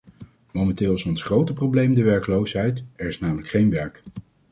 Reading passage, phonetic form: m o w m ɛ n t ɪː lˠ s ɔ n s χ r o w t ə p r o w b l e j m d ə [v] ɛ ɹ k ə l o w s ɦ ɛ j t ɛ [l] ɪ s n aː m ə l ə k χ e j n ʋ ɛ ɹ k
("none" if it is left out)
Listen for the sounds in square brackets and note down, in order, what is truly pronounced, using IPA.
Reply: ʋ, ɹ

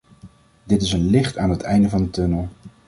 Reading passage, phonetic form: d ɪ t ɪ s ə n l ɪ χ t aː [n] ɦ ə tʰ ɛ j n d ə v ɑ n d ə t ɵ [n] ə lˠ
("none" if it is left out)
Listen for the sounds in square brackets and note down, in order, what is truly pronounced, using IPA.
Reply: n, n

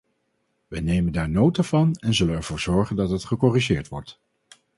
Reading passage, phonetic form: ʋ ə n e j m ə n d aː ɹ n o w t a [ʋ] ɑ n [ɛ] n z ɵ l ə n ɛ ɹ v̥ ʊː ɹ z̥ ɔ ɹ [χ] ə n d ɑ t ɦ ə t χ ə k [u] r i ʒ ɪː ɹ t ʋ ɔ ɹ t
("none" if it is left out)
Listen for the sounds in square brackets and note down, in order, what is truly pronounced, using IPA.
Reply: v, ɛ, χ, ɔ

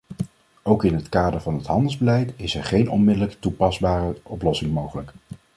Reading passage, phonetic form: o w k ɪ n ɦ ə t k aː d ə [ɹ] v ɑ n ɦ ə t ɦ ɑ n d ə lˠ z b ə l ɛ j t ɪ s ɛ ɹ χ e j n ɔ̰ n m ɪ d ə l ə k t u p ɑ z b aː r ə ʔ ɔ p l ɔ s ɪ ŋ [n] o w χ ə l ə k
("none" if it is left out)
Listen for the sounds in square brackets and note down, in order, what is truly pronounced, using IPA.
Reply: ɹ, m

